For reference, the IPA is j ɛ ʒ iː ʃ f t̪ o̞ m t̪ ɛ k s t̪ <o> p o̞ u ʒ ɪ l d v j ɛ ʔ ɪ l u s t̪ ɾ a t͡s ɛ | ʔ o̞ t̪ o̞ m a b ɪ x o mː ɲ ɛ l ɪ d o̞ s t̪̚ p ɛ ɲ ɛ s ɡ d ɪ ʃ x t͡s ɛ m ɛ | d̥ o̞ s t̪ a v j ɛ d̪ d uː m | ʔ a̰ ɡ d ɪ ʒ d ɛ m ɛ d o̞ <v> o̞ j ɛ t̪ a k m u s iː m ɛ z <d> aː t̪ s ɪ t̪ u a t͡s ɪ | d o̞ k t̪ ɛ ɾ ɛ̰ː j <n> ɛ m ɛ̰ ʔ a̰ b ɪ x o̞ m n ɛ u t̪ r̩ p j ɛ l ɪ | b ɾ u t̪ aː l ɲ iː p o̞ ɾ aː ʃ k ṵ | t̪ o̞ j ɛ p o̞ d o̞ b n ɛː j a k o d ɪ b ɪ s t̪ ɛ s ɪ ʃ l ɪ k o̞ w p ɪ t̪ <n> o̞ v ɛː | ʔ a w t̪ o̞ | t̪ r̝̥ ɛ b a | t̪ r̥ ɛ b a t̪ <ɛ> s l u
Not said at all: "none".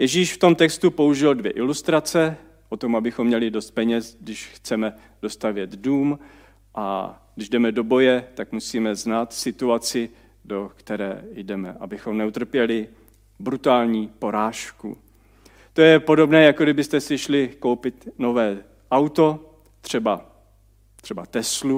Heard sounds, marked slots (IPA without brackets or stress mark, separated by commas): u, b, n, d, n, ɛ